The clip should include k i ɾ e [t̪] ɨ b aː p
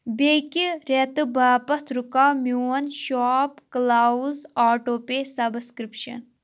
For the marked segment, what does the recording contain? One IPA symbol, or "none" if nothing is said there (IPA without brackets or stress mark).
t̪